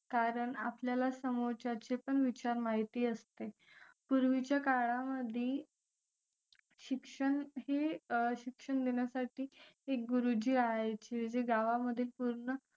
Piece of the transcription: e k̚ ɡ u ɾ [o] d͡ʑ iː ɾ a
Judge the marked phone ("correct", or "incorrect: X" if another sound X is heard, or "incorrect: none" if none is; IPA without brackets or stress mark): incorrect: u